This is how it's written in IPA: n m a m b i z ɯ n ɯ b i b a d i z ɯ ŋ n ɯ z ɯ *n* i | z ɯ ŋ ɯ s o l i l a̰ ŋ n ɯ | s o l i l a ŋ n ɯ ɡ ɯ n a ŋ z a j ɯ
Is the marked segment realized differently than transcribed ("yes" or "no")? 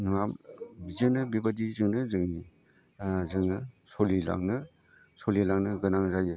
yes